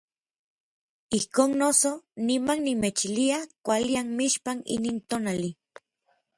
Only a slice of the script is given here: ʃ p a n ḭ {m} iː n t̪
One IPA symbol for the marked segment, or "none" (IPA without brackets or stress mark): n